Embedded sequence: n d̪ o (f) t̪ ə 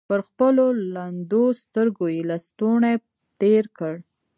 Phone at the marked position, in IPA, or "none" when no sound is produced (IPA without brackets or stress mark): s